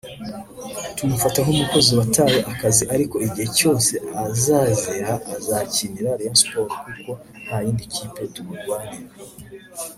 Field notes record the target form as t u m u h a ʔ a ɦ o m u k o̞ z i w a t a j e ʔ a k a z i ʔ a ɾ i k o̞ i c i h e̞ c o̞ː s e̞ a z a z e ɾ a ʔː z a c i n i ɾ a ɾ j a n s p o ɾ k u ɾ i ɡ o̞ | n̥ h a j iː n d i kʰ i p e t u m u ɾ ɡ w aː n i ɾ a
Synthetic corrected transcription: t u m u f a t a ɦ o m u k o̞ z i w a t a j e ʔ a k a z i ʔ a ɾ i k o̞ i ɟ i h e̞ c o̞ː s e̞ a z a z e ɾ a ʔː z a c i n i ɾ a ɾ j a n s p o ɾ k u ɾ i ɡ o̞ | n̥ h a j iː n d i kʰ i p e t u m u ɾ ɡ w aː n i ɾ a